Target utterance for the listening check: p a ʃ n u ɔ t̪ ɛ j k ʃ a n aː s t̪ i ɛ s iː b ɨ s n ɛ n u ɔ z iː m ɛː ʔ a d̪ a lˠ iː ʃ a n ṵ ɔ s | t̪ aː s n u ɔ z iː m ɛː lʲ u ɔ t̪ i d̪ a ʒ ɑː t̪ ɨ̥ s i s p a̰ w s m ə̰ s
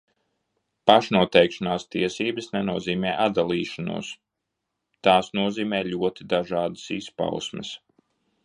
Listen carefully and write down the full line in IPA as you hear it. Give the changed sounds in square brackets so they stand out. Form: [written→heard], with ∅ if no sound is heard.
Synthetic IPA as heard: p a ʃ n u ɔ t̪ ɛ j k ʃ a n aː s t̪ i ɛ s iː b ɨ s n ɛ n u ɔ z iː m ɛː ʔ a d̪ a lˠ iː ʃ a n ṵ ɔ s | t̪ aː s n u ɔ z iː m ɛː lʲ u ɔ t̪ i d̪ a ʒ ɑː [t̪→d̪] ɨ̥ s i s p a̰ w s m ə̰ s